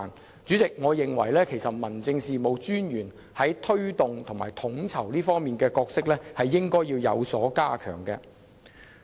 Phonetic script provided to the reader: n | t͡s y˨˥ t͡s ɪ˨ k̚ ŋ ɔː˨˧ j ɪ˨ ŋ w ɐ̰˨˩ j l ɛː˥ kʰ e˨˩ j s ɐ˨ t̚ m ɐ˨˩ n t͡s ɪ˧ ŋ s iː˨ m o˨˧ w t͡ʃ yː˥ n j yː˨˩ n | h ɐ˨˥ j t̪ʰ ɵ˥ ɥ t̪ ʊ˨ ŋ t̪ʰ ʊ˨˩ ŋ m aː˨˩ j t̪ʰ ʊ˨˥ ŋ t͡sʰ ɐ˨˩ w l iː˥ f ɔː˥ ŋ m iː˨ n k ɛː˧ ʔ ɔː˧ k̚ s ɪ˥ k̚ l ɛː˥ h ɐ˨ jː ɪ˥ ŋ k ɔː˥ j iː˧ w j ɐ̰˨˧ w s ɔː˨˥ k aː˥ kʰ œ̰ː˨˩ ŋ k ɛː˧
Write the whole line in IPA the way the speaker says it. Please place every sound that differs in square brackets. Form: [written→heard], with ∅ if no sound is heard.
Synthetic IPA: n | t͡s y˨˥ t͡s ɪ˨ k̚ ŋ ɔː˨˧ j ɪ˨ ŋ w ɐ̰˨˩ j l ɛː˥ kʰ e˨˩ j s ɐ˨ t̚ m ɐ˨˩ n t͡s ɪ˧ ŋ s iː˨ m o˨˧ w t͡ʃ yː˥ n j yː˨˩ n | h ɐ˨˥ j t̪ʰ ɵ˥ ɥ t̪ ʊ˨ ŋ t̪ʰ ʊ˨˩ ŋ m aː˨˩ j t̪ʰ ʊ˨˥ ŋ t͡sʰ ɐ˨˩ w l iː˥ f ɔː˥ ŋ m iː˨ n k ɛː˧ [ʔ→k] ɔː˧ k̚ s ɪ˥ k̚ l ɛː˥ h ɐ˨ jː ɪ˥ ŋ k ɔː˥ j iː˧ w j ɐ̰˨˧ w s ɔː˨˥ k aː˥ kʰ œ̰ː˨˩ ŋ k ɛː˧

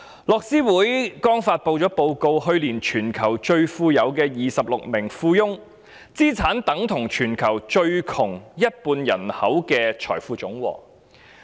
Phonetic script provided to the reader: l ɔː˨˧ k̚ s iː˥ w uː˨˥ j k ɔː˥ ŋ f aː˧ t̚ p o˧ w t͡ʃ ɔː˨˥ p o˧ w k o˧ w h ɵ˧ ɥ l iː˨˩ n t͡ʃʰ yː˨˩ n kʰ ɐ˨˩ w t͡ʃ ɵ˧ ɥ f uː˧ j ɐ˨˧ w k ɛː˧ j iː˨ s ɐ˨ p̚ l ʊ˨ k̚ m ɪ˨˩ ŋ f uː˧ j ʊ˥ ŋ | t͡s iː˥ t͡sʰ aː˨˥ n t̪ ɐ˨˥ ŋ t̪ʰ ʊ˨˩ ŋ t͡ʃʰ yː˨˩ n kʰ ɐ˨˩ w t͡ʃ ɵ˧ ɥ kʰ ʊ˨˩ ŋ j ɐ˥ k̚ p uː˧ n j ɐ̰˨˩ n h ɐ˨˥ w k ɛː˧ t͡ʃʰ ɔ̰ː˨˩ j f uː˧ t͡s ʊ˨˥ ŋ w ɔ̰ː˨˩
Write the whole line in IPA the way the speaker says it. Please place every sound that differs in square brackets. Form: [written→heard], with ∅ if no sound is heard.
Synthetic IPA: l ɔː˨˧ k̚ s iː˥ w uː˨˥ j k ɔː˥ ŋ f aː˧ t̚ p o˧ w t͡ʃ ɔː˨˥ p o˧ w k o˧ w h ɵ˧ ɥ l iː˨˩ n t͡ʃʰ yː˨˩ n kʰ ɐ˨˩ w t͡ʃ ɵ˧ ɥ f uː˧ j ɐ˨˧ w k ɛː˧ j iː˨ s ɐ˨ p̚ l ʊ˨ k̚ m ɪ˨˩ ŋ f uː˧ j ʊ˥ ŋ | t͡s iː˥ t͡sʰ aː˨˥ n t̪ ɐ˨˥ ŋ t̪ʰ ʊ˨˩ ŋ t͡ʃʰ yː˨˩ n kʰ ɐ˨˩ w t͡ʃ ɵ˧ ɥ kʰ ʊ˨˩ ŋ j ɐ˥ [k̚→t̚] p uː˧ n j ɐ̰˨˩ n h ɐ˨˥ w k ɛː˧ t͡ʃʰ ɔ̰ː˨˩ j f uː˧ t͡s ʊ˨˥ ŋ w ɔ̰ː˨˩

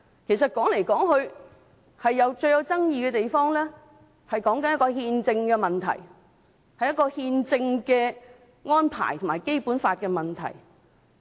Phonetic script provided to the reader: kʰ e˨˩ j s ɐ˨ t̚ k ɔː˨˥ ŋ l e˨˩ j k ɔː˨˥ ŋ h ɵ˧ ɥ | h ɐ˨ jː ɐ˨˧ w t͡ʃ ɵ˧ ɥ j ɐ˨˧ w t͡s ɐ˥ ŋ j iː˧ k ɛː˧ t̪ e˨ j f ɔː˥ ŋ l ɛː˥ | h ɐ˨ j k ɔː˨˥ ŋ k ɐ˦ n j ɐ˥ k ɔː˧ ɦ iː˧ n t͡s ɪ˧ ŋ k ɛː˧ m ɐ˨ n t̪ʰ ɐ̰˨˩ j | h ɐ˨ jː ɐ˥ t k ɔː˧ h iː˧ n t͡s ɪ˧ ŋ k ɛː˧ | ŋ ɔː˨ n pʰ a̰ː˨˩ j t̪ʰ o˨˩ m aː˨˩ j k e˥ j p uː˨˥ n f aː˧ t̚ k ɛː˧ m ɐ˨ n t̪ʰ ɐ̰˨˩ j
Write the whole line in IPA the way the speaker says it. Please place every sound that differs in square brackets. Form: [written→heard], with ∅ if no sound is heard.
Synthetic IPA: kʰ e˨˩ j s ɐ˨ t̚ k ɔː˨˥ ŋ l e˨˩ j k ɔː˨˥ ŋ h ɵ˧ ɥ | h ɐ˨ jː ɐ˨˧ w t͡ʃ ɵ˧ ɥ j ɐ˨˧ w t͡s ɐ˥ ŋ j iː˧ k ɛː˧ t̪ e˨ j f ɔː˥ ŋ l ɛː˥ | h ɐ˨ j k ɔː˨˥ ŋ k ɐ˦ n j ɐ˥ k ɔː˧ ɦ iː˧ n t͡s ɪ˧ ŋ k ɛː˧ m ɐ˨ n t̪ʰ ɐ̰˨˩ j | h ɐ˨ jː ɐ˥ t k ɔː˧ h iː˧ n t͡s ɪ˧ ŋ k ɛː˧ | ŋ [ɔː˨→ɔː˥] n pʰ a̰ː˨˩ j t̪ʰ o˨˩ m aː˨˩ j k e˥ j p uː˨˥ n f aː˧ t̚ k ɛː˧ m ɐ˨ n t̪ʰ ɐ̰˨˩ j

